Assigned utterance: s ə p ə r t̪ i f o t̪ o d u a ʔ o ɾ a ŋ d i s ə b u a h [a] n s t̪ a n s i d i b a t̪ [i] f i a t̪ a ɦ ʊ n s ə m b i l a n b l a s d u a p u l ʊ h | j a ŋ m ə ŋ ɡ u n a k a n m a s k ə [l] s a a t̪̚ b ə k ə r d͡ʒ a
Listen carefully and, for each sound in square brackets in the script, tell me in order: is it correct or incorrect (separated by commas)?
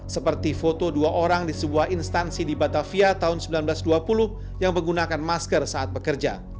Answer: incorrect, incorrect, incorrect